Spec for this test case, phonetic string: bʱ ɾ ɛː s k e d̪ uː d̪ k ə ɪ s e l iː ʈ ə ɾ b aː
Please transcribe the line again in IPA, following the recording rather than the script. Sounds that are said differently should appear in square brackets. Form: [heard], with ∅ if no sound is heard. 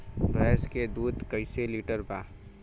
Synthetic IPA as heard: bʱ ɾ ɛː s k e d̪ uː d̪ k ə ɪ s e l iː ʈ ə ɾ b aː